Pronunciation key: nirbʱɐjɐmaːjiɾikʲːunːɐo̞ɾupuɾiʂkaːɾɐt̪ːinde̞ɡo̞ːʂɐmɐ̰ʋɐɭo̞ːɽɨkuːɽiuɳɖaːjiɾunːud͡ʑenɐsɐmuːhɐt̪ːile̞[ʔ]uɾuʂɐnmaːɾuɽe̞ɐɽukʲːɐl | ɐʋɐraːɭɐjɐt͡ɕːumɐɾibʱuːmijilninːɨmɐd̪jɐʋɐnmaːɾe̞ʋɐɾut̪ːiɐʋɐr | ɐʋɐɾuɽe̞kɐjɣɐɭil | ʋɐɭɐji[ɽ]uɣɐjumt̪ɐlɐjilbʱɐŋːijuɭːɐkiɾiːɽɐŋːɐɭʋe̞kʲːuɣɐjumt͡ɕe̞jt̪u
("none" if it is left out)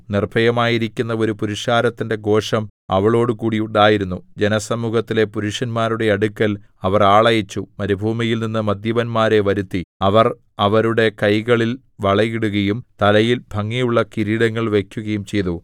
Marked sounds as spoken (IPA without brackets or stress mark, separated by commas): p, ɽ